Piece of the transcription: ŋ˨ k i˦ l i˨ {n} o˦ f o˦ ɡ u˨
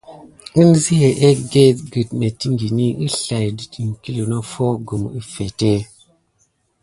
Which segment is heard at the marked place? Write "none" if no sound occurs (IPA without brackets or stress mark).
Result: n